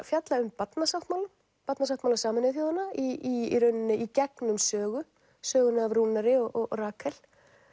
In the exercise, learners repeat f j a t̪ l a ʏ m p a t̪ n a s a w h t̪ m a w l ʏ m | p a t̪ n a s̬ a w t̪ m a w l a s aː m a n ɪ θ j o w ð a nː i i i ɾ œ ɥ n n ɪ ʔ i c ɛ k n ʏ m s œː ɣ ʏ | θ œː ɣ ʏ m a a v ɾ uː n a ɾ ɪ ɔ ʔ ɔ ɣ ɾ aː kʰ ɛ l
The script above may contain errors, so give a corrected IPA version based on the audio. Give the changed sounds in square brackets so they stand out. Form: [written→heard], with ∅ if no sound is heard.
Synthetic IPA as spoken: f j a t̪ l a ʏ m p a t̪ n a s a w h t̪ m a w l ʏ m | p a t̪ n a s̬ a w t̪ m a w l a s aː m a n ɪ θ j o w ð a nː [i→a] i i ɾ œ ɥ n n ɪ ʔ i c ɛ k n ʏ m s œː ɣ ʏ | [θ→s] œː ɣ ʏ [m→n] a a v ɾ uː n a ɾ ɪ ɔ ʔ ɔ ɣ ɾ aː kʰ ɛ l